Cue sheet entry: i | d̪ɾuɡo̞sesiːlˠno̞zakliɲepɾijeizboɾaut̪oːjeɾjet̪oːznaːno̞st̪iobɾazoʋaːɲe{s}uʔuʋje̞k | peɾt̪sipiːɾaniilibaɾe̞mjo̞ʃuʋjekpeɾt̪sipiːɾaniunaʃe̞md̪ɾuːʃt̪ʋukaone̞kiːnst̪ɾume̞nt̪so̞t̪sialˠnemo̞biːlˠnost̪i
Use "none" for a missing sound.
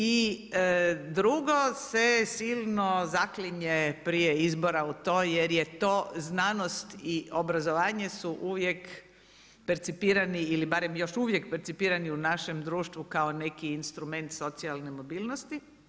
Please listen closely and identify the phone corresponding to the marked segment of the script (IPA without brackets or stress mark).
s